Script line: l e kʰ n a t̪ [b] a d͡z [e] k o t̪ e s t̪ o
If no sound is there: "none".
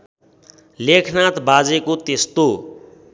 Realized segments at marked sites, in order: b, e

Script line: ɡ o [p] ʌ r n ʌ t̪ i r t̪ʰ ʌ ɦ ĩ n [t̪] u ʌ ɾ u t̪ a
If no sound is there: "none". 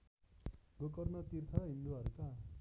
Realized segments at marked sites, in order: k, d̪

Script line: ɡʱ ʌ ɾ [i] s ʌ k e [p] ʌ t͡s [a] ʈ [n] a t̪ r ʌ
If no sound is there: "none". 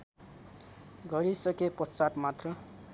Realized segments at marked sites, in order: i, p, a, m

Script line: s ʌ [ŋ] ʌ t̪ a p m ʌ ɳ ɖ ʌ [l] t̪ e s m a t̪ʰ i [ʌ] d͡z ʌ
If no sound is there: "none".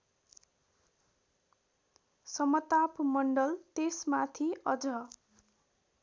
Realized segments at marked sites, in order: m, l, ʌ

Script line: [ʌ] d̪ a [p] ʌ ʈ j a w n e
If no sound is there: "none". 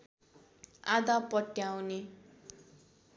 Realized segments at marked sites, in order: a, p

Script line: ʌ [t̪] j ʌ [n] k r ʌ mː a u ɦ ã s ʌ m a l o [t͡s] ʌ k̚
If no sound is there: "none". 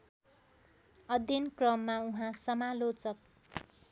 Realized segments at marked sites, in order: d̪, n, t͡s

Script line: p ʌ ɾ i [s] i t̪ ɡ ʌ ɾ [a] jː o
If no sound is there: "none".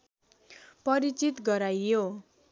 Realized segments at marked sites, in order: t͡s, a

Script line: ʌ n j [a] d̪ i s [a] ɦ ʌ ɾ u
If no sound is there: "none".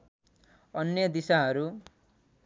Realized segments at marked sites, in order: ʌ, a

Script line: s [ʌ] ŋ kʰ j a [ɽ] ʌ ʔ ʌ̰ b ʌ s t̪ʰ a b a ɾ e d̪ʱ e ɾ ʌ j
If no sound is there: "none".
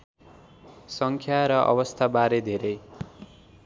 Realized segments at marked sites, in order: ʌ, ɾ

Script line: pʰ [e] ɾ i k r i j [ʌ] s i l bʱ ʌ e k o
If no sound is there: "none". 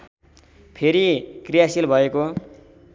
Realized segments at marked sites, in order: e, a

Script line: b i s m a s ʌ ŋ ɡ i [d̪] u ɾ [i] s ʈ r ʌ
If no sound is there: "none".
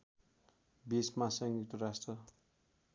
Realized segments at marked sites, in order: t̪, a

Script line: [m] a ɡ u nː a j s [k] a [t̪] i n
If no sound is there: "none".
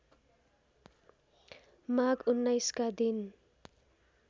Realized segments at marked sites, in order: m, k, d̪

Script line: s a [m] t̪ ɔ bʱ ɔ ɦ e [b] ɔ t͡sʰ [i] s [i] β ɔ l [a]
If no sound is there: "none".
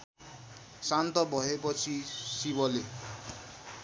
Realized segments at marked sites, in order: n, p, i, i, e

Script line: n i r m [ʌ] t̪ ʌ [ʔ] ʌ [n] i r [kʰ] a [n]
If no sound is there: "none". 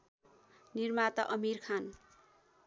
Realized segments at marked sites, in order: a, ʔ, m, kʰ, n

